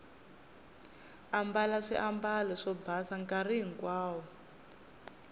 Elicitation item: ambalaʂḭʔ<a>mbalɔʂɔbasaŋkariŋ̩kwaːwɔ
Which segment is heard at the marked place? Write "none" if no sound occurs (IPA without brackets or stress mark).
a